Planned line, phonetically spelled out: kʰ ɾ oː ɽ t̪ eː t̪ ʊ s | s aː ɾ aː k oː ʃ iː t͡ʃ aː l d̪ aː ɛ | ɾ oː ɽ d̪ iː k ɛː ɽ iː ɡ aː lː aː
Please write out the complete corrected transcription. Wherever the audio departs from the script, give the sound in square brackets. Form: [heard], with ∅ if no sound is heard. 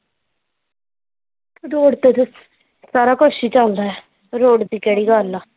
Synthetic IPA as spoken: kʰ ɾ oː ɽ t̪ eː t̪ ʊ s | s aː ɾ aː k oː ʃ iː t͡ʃ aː l d̪ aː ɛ | ɾ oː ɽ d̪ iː k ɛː ɽ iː ɡ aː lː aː